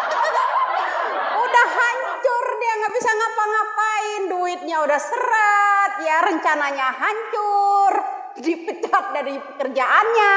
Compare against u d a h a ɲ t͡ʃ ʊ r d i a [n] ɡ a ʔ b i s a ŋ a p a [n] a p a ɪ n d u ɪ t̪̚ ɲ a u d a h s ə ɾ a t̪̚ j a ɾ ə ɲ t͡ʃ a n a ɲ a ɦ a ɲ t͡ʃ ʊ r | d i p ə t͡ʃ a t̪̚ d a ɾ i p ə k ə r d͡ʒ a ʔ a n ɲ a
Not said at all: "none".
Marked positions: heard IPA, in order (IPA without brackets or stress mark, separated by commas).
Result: ŋ, ŋ